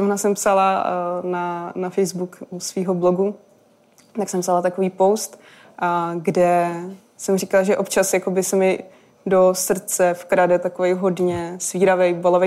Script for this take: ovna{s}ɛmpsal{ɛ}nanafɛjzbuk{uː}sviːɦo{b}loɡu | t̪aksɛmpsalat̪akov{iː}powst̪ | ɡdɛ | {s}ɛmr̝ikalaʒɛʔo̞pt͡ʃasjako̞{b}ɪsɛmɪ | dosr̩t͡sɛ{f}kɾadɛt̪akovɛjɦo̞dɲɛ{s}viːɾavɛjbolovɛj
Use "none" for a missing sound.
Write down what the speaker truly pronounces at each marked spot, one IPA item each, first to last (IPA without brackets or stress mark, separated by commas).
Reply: s, a, u, b, iː, s, b, f, s